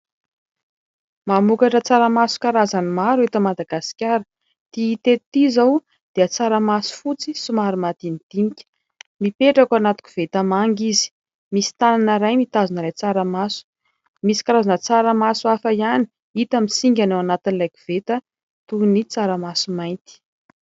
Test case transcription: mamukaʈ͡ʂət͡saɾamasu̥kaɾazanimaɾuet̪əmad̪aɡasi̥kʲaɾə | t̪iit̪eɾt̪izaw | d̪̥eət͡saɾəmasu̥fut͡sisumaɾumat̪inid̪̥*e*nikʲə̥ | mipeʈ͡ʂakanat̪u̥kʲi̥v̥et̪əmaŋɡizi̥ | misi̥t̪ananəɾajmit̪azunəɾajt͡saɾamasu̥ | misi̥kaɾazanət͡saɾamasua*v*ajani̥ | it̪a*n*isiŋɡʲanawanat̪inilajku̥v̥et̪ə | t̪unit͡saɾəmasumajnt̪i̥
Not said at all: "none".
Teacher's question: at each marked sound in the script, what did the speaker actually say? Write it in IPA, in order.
i, f, m

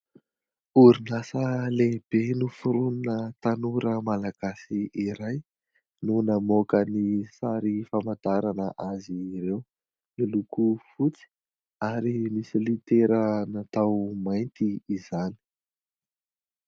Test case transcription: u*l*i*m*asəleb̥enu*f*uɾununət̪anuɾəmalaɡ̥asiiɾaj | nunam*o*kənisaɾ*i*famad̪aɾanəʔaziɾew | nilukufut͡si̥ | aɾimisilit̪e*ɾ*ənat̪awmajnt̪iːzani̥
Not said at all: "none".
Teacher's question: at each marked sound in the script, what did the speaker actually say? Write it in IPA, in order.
ɾ, n, f, o, i, ɾ

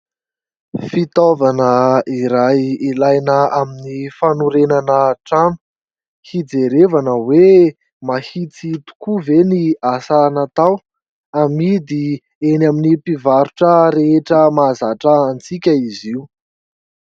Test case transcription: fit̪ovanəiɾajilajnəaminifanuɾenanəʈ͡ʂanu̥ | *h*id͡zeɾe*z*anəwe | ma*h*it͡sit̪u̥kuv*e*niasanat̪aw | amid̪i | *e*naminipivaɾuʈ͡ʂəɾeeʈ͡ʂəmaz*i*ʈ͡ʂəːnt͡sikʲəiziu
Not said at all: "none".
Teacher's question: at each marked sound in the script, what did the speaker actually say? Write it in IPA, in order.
h, v, h, e, e, a

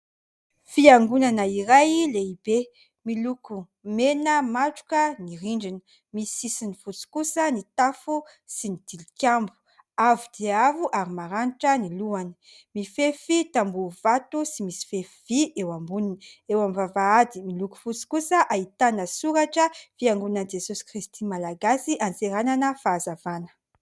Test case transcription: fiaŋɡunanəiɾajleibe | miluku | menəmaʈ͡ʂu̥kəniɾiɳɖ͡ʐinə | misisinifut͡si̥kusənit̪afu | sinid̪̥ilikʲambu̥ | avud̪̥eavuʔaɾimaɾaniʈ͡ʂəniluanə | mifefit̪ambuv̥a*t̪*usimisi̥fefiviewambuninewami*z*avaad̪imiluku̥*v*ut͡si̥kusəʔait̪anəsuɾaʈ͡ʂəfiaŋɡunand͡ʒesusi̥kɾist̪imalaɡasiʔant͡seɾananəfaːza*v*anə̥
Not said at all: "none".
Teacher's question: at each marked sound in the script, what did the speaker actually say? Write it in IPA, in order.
t̪, v, f, v

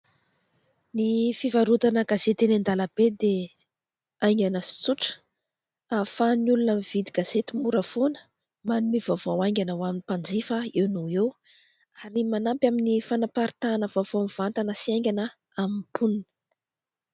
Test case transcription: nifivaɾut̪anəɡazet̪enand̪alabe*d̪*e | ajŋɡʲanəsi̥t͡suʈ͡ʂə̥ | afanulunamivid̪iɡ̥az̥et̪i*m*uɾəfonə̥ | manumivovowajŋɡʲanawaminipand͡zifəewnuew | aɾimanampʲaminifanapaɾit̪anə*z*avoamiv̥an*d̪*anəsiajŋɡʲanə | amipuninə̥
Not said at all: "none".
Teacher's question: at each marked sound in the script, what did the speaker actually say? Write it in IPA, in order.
d̪, m, v, t̪

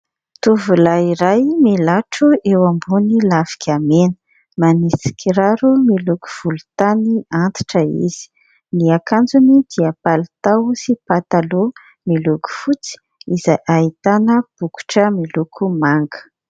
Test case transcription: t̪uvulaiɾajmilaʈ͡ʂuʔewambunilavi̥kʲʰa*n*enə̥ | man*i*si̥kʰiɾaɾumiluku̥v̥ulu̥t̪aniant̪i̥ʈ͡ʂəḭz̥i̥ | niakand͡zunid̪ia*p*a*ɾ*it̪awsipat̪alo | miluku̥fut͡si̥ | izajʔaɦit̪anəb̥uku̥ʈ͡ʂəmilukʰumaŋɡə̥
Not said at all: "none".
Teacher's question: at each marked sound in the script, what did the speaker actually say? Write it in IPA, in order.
m, i, p, l

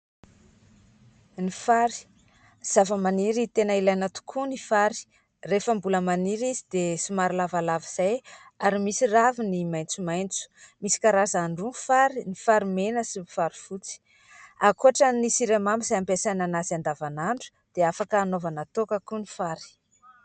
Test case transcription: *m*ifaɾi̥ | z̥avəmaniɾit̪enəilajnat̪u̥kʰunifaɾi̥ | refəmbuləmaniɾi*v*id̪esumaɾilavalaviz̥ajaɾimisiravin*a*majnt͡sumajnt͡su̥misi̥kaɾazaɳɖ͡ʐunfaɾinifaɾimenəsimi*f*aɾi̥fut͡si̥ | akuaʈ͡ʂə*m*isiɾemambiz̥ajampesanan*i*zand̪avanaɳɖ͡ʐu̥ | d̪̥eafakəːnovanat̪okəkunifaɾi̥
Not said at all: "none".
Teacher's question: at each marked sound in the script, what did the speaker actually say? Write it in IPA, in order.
n, z, i, f, n, a

